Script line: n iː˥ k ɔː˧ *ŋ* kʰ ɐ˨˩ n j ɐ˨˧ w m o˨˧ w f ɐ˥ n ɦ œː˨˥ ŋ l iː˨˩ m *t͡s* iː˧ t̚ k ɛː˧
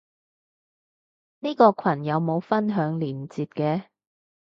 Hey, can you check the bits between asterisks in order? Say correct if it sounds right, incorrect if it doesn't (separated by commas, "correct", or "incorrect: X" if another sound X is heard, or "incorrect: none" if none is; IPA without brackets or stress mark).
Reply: incorrect: none, correct